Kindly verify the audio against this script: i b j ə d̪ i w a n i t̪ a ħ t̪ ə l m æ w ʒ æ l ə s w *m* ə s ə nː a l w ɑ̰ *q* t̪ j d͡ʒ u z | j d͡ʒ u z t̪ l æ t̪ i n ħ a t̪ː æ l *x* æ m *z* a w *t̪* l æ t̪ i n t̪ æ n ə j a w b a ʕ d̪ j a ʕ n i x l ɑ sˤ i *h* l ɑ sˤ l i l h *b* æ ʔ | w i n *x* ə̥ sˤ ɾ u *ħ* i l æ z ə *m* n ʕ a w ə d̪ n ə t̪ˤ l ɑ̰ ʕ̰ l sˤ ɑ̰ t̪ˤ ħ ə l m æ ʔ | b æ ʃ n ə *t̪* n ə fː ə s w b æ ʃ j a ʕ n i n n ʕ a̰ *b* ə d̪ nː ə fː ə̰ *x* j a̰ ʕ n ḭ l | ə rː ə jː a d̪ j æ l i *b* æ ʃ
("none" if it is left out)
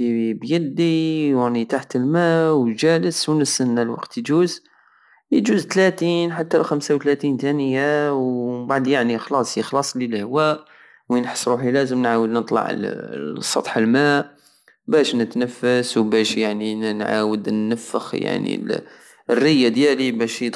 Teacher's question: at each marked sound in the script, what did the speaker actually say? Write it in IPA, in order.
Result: n, q, x, s, t̪, x, w, ħ, ħ, m, t̪, w, x, b

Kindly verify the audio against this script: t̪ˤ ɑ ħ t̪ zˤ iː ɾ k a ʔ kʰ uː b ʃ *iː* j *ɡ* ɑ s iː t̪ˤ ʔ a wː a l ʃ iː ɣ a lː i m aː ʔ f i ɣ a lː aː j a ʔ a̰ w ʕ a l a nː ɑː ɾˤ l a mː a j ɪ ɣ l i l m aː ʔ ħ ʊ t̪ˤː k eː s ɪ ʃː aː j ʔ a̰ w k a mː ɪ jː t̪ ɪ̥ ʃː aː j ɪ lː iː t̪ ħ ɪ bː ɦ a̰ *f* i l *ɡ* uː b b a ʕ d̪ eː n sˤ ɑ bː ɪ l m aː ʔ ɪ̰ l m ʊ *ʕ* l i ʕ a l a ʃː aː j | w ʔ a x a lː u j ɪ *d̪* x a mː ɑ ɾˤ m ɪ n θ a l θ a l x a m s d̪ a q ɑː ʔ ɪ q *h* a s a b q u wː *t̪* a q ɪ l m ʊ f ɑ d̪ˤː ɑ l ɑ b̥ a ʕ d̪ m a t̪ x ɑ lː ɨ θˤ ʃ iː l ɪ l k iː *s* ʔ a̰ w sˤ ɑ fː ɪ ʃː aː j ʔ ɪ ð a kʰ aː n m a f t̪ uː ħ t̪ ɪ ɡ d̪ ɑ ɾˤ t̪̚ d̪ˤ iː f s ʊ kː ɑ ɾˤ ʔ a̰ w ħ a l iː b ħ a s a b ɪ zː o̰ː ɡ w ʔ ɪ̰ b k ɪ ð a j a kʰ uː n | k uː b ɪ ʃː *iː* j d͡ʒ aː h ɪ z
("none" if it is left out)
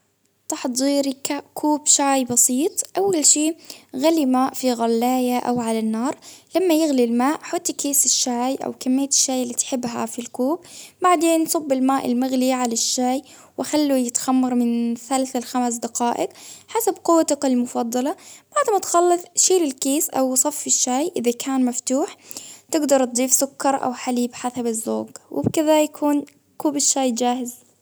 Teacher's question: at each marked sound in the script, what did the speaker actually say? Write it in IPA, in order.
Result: aː, b, f, k, ɣ, t̪, ħ, t̪, s, aː

